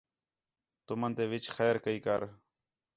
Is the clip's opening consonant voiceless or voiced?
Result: voiceless